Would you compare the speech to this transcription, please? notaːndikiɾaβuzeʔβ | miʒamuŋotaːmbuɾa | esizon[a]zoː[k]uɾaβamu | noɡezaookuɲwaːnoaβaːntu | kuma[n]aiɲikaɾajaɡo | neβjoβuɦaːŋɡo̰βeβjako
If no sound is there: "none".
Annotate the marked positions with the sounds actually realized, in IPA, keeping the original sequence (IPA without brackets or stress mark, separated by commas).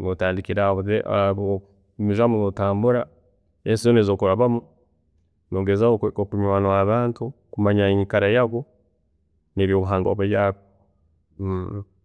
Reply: e, k, ɲ